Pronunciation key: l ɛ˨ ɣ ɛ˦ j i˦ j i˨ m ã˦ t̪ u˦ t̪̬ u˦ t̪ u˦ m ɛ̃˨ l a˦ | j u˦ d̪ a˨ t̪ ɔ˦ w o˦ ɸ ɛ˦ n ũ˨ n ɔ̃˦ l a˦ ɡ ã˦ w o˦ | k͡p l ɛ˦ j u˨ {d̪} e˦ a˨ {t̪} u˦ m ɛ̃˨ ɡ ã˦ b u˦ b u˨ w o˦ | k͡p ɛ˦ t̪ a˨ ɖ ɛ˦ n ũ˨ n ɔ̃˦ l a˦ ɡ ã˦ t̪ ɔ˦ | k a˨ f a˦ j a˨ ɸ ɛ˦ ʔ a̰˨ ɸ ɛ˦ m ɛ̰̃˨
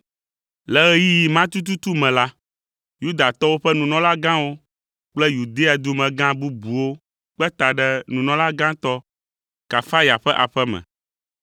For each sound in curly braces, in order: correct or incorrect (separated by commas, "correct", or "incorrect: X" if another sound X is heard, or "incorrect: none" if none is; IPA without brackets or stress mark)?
correct, incorrect: d̪